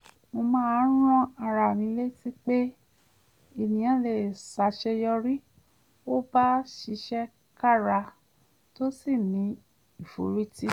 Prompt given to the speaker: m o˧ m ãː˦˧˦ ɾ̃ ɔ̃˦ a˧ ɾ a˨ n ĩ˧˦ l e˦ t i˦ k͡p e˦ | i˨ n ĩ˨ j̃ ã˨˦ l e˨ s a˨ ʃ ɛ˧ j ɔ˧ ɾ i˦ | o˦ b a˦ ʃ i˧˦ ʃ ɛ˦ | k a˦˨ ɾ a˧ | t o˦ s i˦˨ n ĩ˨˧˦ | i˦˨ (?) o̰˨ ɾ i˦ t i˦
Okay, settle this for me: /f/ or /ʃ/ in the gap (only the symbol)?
f